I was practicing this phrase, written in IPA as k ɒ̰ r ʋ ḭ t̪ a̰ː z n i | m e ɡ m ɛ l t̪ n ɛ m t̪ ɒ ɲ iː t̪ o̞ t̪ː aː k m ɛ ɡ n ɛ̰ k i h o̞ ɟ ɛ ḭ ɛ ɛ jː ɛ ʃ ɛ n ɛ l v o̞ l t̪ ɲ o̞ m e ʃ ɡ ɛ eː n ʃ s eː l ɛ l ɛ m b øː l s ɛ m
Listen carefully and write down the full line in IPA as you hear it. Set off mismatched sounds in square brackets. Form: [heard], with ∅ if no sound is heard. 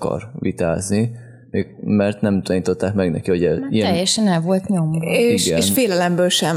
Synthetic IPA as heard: k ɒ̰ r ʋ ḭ t̪ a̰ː z n i | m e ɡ m ɛ [r] t̪ n ɛ m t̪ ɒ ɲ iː t̪ o̞ t̪ː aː k m ɛ ɡ n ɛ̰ k i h o̞ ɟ ɛ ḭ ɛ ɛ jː ɛ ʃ ɛ n ɛ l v o̞ l t̪ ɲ o̞ m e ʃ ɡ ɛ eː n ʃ [f] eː l ɛ l ɛ m b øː l [ʃ] ɛ m